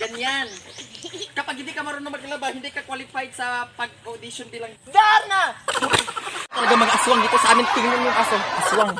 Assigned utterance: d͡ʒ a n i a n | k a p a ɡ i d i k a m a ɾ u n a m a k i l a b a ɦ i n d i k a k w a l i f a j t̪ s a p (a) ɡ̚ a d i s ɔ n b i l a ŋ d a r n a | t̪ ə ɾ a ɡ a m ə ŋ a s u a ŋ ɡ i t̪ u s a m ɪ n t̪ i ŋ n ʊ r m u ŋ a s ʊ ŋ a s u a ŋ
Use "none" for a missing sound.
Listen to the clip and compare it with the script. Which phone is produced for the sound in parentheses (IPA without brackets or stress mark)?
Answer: a